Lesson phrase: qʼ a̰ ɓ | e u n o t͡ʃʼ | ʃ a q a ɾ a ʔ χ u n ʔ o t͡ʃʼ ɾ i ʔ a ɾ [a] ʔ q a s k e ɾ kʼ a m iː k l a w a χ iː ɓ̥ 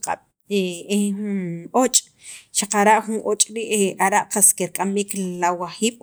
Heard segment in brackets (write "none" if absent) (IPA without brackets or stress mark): a